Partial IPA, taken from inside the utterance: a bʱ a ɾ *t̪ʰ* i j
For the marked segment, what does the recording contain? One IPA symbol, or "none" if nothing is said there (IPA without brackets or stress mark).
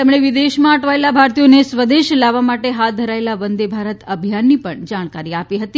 t̪